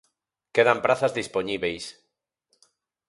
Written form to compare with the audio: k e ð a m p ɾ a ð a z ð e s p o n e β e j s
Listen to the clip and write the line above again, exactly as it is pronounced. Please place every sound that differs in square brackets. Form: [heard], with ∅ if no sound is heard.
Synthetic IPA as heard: k e ð a m p ɾ a [θ] a z ð [i] s p o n [i] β e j s